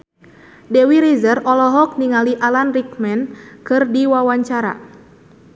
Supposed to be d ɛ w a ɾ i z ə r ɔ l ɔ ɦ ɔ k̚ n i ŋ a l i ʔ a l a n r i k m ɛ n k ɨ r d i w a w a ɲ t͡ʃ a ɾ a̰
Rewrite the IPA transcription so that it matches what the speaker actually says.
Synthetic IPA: d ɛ w i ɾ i z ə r ɔ l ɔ ɦ ɔ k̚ n i ŋ a l i ʔ a l a n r i k m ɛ n k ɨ r d i w a w a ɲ t͡ʃ a ɾ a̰